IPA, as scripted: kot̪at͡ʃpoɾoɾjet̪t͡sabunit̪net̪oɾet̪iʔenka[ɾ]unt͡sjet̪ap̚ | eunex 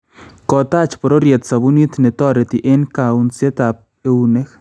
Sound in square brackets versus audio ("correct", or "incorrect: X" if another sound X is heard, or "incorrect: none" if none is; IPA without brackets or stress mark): incorrect: none